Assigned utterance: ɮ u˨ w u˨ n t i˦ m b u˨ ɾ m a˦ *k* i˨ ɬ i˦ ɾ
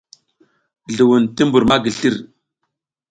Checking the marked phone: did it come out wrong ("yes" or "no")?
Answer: yes